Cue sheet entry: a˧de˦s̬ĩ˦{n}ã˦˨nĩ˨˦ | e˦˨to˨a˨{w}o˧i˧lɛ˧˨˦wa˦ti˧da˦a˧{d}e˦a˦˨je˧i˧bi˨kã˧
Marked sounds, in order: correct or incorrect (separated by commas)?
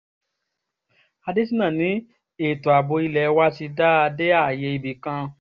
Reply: correct, incorrect, correct